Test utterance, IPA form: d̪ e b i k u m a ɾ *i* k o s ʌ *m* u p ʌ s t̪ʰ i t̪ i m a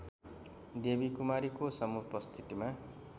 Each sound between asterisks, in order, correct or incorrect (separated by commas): correct, correct